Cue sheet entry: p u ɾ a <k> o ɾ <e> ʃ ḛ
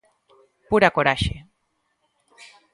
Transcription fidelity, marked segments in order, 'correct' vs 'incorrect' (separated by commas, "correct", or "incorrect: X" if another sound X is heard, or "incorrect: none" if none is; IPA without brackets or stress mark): correct, incorrect: a